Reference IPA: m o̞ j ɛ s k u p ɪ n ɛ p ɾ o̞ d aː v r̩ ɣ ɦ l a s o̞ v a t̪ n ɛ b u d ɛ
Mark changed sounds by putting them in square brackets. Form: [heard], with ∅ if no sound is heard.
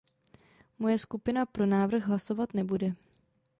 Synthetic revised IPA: m o̞ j ɛ s k u p ɪ n [a] p ɾ o̞ [n] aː v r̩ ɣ ɦ l a s o̞ v a t̪ n ɛ b u d ɛ